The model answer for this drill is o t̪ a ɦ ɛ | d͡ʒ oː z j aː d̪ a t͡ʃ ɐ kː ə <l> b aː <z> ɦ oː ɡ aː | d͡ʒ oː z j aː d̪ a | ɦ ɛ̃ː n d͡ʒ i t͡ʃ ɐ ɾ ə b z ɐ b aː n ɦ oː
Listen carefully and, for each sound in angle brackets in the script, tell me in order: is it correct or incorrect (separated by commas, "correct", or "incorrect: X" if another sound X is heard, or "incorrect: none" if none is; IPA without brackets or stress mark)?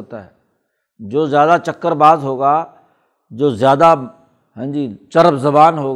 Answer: incorrect: ɾ, correct